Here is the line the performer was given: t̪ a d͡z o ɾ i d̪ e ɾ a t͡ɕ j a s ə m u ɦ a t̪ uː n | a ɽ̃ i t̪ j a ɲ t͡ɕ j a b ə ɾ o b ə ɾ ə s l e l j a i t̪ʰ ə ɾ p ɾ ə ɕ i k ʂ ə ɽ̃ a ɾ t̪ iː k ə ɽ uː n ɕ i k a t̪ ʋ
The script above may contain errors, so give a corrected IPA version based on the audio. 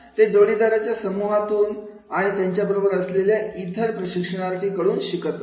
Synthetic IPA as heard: t̪ e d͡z o ɽ i d̪ a ɾ a t͡ɕ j a s ə m u ɦ a t̪ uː n | a ɽ̃ i t̪ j a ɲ t͡ɕ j a b ə ɾ o b ə ɾ ə s l e l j a i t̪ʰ ə ɾ p ɾ ə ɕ i k ʂ ə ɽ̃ a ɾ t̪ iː k ə ɽ uː n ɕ i k ə t̪ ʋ